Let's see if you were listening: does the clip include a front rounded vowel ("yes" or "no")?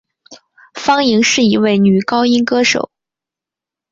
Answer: yes